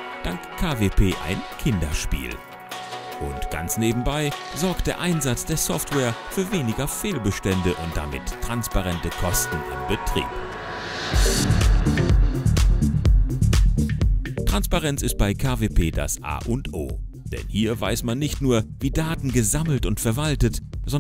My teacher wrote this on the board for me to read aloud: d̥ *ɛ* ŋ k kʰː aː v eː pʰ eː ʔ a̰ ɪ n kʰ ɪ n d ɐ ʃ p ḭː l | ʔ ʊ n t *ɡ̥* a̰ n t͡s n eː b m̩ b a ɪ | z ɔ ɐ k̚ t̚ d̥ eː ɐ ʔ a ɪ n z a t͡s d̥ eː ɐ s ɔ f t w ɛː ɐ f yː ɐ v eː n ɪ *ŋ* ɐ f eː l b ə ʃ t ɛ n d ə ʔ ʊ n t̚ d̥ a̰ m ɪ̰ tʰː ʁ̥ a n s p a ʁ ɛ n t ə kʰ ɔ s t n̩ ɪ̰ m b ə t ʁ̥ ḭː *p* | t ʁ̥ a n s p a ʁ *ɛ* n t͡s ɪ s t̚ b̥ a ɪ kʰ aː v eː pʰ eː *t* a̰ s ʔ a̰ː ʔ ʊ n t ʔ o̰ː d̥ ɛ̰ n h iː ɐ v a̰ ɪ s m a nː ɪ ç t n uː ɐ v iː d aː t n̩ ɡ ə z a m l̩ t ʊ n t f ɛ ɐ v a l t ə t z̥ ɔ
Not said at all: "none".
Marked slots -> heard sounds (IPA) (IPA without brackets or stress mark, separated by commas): a, ɡ̥, ɡ, p, ɛ, d